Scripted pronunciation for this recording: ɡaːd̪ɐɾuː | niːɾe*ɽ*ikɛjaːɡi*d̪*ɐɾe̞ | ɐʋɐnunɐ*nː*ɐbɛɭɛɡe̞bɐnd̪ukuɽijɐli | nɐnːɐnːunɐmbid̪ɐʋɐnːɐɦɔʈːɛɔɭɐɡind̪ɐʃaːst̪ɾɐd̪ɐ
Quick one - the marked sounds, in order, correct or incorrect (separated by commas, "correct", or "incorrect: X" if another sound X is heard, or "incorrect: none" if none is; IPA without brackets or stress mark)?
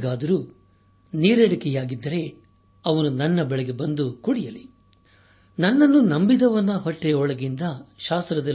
correct, incorrect: d̪ː, correct